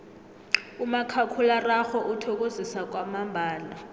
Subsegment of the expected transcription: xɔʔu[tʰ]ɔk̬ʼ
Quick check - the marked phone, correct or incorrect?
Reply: correct